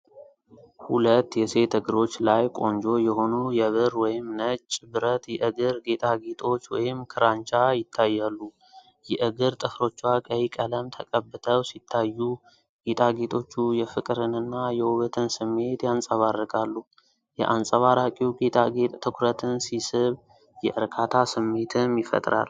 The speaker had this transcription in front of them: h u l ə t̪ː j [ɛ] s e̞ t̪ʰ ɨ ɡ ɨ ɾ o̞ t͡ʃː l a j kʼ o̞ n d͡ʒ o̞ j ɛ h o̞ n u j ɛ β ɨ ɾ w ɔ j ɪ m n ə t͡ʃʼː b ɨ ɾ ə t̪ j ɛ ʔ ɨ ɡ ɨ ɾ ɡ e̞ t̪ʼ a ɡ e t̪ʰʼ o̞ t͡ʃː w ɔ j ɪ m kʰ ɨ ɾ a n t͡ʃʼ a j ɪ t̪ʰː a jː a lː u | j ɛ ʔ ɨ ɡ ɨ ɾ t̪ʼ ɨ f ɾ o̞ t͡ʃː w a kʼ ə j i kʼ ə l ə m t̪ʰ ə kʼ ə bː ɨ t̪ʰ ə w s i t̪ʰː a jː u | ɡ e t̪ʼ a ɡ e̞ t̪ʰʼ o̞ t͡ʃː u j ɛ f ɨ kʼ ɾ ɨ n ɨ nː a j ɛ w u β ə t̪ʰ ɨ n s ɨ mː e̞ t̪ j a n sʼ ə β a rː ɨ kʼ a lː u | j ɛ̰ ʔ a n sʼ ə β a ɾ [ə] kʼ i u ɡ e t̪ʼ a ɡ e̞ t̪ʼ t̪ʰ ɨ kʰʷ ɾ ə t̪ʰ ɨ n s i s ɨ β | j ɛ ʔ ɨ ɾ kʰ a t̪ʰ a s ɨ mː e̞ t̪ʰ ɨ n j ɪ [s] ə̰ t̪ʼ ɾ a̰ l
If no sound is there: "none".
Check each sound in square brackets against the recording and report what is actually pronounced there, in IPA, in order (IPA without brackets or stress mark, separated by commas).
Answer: ɛ, a, f